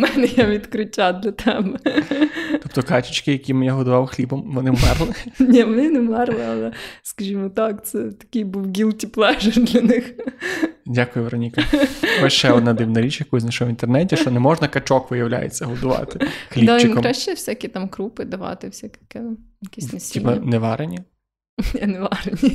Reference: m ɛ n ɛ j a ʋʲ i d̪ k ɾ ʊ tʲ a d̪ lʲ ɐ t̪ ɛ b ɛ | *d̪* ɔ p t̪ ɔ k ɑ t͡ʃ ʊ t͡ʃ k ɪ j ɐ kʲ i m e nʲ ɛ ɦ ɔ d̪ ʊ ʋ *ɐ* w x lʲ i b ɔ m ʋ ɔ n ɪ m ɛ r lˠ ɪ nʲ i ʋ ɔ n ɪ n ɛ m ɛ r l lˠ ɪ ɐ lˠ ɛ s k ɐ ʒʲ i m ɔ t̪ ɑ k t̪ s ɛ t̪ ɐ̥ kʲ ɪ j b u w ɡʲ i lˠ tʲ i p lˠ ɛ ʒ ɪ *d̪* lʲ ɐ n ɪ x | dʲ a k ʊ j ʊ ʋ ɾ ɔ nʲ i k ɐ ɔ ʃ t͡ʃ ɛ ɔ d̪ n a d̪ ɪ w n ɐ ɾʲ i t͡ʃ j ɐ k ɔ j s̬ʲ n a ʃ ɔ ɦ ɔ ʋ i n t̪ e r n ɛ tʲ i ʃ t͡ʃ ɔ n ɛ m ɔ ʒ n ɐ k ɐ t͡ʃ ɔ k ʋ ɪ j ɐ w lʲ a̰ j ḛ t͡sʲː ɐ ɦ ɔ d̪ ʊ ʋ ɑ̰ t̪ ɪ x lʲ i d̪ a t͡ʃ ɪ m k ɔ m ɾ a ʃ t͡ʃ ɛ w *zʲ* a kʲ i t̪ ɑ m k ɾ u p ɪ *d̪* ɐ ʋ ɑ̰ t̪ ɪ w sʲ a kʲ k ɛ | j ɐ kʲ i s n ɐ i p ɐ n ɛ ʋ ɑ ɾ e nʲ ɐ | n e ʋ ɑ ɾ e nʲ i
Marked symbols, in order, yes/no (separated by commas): no, no, yes, no, yes